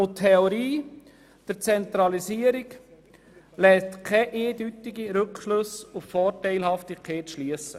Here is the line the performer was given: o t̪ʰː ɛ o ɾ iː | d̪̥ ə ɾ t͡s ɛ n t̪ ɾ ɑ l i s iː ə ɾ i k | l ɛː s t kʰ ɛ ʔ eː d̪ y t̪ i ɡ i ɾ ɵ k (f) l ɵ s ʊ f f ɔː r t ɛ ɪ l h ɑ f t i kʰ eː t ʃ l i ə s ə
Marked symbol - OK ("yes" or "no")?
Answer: no